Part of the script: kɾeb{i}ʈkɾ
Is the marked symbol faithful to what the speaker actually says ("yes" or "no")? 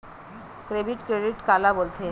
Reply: yes